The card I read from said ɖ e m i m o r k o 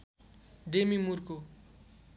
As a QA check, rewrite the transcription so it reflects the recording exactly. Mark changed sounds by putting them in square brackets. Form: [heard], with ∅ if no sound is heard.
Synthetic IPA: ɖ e m i m [u] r k o